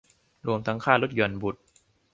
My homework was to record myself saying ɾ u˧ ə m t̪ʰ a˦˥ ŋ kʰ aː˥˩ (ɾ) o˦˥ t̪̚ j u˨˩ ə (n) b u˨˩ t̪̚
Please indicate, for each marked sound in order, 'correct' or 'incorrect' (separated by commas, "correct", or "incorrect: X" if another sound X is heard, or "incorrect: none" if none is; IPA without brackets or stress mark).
incorrect: l, correct